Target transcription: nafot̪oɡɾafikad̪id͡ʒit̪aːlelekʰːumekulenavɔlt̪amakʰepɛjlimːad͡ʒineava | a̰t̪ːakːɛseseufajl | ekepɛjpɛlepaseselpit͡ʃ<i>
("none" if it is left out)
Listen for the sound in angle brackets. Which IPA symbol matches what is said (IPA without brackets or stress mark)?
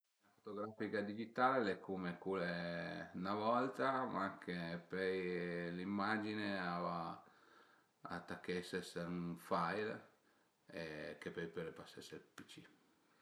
i